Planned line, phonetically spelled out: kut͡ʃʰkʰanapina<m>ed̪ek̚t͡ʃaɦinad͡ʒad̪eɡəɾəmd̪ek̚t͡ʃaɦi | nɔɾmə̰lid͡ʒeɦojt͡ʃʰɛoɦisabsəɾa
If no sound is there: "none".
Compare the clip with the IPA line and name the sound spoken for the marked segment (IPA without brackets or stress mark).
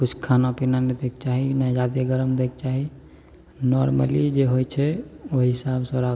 n